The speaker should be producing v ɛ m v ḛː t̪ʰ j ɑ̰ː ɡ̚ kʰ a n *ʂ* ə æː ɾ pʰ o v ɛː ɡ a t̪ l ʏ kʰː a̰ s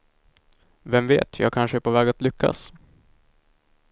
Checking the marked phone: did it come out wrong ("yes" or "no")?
no